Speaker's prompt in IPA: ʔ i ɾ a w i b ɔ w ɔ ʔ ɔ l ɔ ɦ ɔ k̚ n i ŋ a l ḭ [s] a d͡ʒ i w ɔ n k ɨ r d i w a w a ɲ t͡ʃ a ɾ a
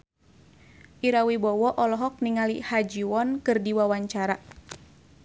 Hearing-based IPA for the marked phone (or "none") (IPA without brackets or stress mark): h